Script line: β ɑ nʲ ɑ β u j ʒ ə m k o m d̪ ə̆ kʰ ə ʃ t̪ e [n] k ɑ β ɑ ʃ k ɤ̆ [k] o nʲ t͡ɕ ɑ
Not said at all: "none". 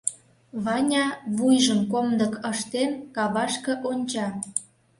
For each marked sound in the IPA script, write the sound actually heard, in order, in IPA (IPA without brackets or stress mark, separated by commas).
n, ʔ